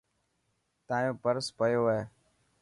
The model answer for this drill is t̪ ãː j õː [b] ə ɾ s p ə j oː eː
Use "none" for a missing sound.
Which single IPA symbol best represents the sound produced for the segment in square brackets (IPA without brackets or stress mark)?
p